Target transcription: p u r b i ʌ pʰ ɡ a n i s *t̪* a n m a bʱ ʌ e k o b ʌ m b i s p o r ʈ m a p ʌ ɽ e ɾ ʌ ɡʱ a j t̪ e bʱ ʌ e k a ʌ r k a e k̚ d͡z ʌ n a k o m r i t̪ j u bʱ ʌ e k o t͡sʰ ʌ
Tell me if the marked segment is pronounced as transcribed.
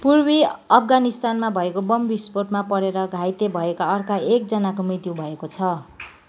yes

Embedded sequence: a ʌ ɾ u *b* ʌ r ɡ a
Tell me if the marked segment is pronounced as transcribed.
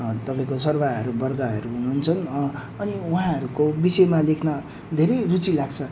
yes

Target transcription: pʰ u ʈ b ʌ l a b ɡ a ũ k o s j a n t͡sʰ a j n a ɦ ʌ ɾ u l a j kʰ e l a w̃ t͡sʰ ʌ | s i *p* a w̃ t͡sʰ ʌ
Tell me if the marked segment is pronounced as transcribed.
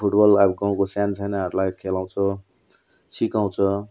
no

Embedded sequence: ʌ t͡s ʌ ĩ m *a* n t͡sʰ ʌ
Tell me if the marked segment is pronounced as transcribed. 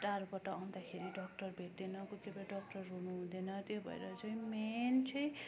no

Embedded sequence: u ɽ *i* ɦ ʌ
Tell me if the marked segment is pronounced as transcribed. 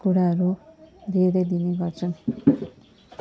no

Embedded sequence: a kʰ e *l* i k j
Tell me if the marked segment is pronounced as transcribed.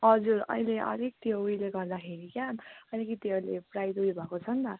no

